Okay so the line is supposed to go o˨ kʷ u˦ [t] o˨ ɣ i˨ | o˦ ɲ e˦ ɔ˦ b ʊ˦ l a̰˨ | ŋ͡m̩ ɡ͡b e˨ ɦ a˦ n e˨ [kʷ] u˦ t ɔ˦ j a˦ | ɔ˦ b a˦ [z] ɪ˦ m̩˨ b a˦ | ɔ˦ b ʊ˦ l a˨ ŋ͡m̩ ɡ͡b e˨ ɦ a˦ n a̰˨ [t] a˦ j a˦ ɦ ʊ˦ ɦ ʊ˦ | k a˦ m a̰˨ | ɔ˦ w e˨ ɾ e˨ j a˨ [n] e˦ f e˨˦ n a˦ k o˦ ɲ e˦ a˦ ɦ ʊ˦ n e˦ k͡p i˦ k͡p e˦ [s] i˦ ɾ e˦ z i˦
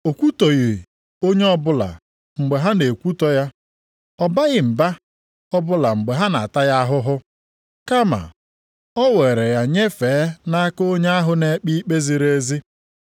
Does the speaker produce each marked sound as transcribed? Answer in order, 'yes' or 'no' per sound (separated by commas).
yes, yes, no, yes, no, no